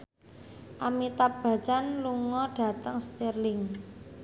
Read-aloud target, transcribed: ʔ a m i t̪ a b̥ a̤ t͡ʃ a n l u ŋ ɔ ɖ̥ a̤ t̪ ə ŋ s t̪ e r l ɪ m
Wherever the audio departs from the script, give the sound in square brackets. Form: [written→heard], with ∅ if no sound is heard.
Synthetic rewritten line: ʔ a m i t̪ a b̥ a̤ t͡ʃ a n l u ŋ ɔ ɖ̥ a̤ t̪ ə ŋ s t̪ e r l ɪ [m→ŋ]